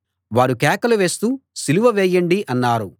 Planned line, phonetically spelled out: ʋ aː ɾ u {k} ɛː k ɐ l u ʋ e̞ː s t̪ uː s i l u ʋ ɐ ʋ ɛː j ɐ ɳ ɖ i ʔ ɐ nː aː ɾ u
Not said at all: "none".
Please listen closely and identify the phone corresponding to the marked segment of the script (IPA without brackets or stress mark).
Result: k